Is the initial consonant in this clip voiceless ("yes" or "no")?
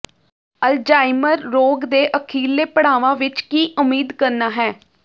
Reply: no